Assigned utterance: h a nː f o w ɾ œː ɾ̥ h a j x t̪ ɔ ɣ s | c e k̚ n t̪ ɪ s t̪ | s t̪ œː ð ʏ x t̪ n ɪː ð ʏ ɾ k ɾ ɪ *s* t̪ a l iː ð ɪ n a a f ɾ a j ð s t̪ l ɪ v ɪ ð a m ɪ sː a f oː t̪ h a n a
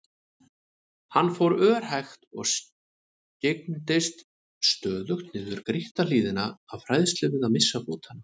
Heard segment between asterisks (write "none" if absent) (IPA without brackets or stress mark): h